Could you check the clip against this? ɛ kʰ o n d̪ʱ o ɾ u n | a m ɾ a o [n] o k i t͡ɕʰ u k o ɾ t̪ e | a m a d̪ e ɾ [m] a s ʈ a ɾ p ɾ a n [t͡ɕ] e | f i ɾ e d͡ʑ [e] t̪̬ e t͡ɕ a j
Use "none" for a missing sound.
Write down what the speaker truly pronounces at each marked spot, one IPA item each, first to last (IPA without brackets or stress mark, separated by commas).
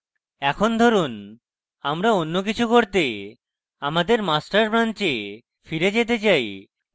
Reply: nː, m, t͡ɕ, e